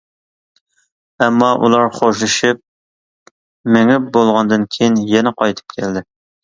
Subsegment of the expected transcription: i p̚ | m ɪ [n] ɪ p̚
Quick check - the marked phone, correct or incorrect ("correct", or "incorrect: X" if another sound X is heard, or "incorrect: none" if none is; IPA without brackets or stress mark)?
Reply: incorrect: ŋ